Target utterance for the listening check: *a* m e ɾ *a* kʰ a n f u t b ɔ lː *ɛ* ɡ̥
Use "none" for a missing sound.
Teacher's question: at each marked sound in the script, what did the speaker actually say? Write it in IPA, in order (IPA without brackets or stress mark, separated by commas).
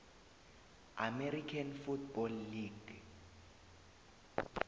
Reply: a, i, i